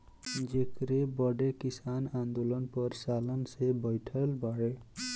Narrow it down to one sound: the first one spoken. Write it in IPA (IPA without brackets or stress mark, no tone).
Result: d͡ʒ